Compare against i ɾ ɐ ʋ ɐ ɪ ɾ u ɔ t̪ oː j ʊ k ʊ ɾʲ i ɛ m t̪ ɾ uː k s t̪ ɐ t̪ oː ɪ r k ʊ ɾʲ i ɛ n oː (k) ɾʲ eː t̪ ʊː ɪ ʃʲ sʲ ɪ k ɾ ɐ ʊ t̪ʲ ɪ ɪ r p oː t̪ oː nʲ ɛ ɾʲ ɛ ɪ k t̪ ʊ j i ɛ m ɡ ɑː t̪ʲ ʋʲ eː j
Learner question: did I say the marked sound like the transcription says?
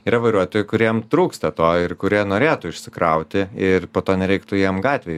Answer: no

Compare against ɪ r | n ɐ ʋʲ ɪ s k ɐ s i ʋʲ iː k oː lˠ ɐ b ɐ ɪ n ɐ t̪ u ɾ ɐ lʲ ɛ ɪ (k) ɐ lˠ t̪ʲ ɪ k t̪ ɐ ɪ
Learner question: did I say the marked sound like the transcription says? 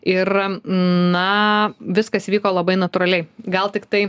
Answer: no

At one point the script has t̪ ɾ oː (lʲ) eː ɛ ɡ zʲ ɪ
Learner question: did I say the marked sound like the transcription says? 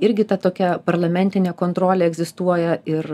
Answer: yes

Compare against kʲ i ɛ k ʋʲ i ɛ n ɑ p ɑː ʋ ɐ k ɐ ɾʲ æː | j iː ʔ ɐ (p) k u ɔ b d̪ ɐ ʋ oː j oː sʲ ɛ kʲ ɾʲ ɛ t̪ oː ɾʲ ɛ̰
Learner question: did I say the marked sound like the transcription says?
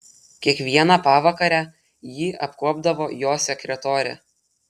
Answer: yes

